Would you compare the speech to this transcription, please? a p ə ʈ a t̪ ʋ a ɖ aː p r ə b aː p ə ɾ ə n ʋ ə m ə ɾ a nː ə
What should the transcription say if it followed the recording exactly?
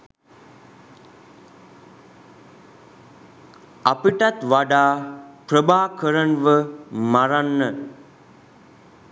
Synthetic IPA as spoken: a p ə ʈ a t̪ ʋ a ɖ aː p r ə b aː k ə ɾ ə n ʋ ə m a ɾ a nː ə